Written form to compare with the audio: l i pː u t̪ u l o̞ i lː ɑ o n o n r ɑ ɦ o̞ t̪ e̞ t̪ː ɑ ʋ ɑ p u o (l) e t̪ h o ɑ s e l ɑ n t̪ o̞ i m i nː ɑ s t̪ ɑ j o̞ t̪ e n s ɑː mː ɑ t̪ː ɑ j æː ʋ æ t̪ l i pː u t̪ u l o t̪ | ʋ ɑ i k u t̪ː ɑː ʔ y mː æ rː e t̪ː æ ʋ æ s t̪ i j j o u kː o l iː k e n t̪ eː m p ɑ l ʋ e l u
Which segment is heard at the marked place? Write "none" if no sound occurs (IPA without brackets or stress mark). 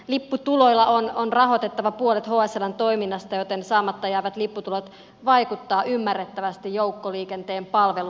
l